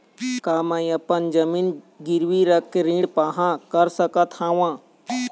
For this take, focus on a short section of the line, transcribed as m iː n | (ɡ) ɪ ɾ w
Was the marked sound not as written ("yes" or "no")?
no